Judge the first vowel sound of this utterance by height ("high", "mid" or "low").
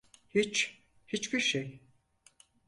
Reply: high